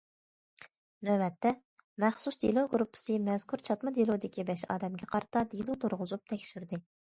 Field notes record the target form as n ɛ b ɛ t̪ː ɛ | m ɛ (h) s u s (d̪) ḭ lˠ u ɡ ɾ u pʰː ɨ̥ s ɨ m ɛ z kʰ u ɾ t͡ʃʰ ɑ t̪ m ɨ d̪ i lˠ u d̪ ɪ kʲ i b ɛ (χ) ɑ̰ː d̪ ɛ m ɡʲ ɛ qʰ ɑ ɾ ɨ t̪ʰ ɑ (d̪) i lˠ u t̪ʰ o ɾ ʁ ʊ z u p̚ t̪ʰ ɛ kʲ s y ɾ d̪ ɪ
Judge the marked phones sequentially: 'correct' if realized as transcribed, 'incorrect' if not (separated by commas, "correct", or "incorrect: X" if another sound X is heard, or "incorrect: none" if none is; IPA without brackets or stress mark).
incorrect: χ, correct, incorrect: ʃ, correct